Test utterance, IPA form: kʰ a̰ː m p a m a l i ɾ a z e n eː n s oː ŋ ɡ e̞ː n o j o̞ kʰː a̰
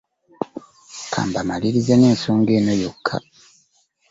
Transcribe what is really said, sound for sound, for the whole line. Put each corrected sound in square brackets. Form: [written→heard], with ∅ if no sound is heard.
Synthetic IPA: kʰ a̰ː m [p→b] a m a l i ɾ [a→i] z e n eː n s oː ŋ ɡ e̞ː n o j o̞ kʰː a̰